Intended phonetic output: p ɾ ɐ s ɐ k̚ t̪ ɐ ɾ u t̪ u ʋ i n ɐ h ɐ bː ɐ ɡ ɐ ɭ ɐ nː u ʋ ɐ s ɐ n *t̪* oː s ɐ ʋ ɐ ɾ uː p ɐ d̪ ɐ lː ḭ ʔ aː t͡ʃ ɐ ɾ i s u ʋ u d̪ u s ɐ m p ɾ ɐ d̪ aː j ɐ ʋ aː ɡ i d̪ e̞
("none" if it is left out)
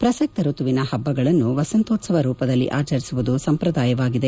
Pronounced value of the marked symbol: t̪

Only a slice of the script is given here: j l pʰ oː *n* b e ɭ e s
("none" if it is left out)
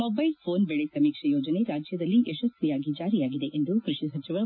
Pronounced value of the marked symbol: n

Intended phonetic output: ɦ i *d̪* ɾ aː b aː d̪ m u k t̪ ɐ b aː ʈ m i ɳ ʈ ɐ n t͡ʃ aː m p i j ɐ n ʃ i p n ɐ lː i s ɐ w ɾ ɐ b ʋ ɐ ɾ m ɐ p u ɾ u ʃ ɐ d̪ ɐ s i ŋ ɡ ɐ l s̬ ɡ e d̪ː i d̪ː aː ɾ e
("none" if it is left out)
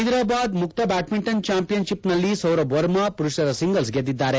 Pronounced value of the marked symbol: d̪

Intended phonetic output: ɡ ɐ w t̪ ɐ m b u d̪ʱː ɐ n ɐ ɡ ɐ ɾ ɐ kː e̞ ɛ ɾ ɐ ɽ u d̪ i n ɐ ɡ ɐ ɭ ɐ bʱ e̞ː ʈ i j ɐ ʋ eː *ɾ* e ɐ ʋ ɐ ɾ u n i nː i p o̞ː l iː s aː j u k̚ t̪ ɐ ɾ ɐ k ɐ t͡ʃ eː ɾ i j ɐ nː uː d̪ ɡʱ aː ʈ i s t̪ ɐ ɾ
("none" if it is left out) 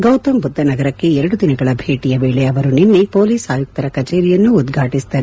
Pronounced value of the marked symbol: ɭ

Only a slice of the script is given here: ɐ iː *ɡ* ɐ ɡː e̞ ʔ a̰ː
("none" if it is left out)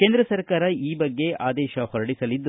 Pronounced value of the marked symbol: b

